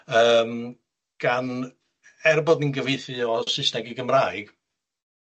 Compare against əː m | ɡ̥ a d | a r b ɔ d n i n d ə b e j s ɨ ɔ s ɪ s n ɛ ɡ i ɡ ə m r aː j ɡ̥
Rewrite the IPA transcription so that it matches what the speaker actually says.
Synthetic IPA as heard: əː m | ɡ̥ a n | ɛ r b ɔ d n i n ɡ ə v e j θ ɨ ɔ s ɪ s n ɛ ɡ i ɡ ə m r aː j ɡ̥